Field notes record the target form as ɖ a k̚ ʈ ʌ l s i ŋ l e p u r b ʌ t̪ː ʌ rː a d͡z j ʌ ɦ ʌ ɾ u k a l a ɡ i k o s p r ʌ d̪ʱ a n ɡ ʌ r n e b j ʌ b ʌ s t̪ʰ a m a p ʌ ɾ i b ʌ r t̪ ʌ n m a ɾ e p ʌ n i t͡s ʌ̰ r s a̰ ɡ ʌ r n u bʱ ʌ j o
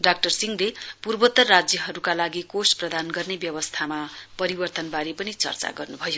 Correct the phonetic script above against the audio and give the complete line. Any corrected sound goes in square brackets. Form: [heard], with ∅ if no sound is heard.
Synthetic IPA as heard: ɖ a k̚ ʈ ʌ [r] s i ŋ l e p u r b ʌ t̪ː ʌ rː a d͡z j ʌ ɦ ʌ ɾ u k a l a ɡ i k o s p r ʌ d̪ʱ a n ɡ ʌ r n e b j ʌ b ʌ s t̪ʰ a m a p ʌ ɾ i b ʌ r t̪ ʌ n [b] a ɾ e p ʌ n i t͡s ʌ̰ r [t͡s] a̰ ɡ ʌ r n u bʱ ʌ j o